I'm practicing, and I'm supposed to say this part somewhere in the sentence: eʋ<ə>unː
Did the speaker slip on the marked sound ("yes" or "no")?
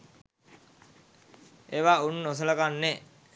yes